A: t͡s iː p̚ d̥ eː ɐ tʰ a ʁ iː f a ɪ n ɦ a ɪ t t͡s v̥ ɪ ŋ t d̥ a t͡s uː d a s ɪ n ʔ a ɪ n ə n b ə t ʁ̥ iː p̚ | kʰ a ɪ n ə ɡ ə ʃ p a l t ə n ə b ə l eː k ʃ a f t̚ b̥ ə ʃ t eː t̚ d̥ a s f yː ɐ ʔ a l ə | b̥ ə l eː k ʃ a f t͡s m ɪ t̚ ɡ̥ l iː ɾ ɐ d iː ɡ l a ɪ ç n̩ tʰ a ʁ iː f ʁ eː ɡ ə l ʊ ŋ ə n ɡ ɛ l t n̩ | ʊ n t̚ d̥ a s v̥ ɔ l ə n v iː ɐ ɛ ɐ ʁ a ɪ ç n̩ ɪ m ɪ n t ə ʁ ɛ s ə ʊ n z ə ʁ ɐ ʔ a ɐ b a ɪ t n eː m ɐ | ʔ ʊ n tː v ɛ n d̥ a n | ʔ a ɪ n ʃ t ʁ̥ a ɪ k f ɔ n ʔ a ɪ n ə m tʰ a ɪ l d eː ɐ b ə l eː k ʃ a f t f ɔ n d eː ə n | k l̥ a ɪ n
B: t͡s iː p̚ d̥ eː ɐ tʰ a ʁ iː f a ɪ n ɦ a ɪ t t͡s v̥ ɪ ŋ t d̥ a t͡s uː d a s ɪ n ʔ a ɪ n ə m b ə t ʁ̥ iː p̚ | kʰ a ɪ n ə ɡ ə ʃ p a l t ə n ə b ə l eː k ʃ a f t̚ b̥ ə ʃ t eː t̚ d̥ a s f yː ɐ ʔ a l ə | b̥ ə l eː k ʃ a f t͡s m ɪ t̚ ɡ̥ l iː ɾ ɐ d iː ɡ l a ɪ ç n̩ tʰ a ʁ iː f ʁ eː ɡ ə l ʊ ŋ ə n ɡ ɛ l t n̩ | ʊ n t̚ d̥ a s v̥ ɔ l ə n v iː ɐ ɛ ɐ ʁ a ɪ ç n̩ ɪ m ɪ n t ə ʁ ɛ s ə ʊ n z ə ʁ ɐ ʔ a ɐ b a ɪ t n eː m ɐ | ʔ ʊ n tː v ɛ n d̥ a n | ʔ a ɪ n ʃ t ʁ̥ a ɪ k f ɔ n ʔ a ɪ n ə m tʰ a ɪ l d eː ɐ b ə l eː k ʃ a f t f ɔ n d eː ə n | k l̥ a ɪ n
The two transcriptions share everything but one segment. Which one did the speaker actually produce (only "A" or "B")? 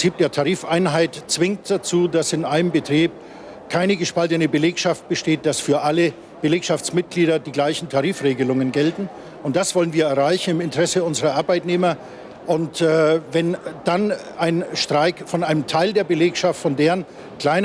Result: B